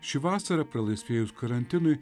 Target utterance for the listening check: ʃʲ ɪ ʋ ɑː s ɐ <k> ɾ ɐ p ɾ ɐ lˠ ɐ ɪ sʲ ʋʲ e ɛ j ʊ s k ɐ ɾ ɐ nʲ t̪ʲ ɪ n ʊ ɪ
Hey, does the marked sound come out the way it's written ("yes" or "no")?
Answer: no